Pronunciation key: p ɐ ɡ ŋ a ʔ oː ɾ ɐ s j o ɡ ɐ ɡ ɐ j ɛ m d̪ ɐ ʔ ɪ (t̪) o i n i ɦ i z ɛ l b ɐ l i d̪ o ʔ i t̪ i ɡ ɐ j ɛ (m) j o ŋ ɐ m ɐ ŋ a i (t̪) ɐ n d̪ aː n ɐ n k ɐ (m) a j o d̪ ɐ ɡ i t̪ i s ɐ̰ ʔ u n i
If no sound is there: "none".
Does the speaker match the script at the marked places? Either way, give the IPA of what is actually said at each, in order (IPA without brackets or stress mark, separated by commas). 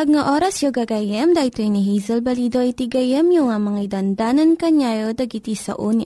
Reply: t̪, m, d̪, ɲ